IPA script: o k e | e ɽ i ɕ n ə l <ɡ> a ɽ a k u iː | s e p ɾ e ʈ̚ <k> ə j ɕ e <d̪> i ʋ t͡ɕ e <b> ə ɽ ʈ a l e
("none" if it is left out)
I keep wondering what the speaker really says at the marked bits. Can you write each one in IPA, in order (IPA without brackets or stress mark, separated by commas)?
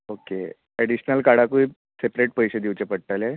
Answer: k, p, d̪, p